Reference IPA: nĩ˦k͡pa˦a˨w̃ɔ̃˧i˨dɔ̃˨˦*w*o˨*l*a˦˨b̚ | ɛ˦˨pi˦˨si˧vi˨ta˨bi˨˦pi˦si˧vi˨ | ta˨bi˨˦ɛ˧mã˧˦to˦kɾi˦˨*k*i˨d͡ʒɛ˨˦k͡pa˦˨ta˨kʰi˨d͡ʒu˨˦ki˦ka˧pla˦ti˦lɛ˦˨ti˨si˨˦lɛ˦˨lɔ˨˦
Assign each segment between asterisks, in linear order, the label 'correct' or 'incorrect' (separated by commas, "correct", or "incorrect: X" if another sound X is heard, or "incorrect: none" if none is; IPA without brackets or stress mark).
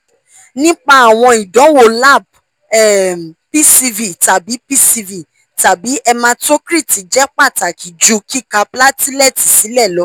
correct, correct, incorrect: t